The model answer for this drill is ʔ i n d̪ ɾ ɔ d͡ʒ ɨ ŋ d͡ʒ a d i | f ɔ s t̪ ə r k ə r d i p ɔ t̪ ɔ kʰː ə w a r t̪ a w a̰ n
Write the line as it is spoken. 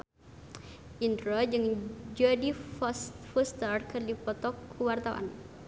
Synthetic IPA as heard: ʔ i n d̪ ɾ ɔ d͡ʒ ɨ ŋ d͡ʒ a d i | f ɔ s t̪ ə r k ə r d i p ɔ t̪ ɔ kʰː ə w a r t̪ a w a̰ n